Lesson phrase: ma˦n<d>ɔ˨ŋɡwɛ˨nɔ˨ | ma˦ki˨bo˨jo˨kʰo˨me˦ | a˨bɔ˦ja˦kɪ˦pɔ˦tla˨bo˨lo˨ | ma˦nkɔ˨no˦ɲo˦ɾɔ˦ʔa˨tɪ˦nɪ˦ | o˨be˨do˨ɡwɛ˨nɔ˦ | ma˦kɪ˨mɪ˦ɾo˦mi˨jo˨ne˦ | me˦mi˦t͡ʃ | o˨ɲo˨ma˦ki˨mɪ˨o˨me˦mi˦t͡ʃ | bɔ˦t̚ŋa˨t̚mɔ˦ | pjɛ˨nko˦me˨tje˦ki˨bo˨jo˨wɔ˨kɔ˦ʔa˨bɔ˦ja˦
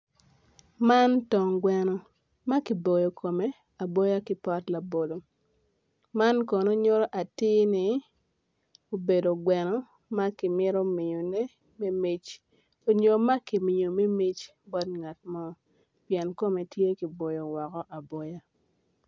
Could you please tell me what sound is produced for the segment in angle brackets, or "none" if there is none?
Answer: t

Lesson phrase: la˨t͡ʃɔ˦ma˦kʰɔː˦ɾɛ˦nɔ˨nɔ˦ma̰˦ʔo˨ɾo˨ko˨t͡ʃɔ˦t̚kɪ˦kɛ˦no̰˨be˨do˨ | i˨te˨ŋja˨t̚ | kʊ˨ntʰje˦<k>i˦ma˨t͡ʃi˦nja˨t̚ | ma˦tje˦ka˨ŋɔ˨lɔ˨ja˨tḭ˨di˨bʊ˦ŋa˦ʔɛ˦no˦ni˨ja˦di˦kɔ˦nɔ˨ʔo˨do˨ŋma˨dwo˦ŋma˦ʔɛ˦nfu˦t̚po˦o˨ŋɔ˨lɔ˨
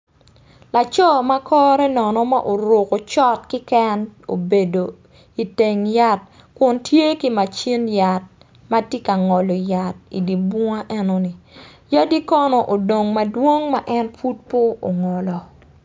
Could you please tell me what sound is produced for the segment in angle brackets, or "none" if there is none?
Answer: k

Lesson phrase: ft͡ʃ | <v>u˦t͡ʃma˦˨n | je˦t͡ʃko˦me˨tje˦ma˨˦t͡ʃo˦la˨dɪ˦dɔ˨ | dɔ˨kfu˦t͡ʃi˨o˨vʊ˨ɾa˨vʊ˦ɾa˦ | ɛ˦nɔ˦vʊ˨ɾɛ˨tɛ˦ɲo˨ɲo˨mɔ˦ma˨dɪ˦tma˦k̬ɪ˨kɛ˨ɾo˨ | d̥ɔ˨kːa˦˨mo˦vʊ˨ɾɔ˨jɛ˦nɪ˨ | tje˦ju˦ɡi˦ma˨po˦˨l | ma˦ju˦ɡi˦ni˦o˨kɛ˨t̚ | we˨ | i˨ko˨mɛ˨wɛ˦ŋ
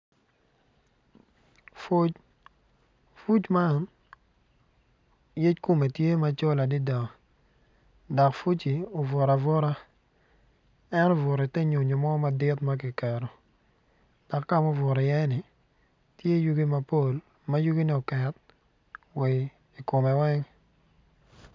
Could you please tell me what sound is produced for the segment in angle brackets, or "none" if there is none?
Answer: f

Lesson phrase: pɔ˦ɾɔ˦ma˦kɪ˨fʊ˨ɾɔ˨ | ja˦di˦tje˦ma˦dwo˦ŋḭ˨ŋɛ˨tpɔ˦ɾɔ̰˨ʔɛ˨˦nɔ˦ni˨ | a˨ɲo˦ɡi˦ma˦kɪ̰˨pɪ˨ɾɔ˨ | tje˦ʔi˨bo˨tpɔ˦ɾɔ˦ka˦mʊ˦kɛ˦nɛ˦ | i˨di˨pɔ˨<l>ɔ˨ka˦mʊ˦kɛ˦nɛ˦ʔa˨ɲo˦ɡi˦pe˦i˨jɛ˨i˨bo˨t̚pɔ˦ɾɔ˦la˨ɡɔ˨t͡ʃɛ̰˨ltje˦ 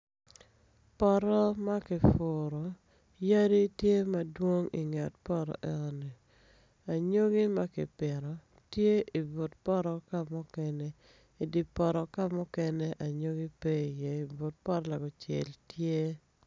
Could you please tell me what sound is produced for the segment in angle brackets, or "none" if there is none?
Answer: ɾ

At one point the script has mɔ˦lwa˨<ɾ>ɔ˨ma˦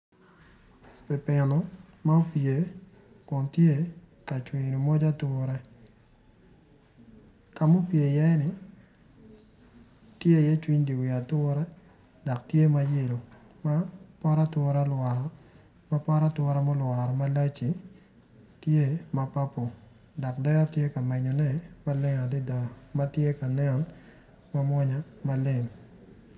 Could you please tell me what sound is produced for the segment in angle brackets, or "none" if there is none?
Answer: ɾ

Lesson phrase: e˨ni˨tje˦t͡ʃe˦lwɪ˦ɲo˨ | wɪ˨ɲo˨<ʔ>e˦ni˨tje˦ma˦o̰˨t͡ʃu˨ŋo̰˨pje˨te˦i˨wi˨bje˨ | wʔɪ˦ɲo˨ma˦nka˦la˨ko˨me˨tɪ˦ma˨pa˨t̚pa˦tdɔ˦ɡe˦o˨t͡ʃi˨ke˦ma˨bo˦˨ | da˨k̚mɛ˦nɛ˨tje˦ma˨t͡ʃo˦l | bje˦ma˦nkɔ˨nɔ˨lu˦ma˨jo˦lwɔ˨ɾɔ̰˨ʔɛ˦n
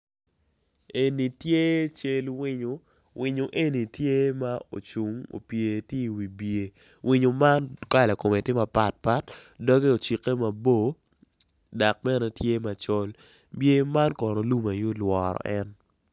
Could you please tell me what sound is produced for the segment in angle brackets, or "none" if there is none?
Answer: ʔ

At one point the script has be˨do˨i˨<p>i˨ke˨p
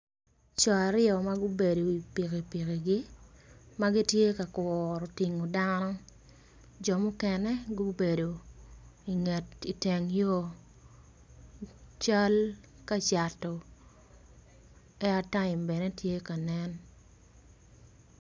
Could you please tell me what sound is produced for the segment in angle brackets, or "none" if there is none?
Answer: p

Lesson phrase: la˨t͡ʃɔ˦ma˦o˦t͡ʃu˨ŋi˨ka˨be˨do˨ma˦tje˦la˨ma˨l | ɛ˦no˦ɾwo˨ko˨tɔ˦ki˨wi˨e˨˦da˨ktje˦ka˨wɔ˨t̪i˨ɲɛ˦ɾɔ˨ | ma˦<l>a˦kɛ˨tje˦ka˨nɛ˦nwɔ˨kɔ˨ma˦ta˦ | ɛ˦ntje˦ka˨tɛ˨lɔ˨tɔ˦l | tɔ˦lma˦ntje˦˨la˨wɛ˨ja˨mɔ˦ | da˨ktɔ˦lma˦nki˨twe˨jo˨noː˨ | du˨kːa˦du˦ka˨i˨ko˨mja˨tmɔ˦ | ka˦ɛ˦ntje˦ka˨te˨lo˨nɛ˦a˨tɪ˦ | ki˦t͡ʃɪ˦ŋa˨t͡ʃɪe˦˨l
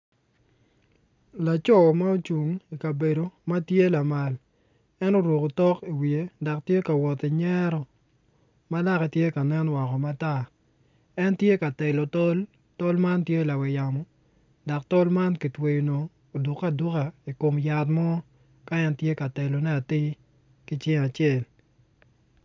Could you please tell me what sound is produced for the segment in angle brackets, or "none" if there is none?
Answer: l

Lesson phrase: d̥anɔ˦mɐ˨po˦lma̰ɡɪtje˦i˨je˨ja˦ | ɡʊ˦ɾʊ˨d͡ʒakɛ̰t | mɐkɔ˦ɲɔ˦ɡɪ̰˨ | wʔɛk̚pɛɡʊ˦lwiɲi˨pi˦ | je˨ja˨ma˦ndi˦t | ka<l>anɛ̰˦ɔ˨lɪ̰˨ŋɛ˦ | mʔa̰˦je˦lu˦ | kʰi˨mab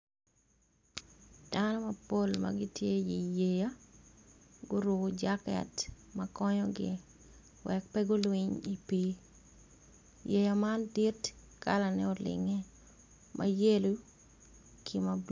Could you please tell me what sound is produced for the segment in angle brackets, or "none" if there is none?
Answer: l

